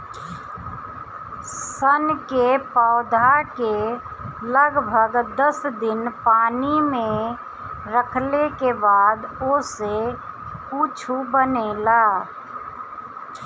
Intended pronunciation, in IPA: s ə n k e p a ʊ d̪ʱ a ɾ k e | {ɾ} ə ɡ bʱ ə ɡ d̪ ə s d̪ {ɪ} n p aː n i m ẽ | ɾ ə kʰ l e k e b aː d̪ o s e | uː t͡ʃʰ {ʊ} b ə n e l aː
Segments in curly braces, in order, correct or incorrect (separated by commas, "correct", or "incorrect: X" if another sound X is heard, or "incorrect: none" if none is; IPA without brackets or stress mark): incorrect: l, correct, incorrect: u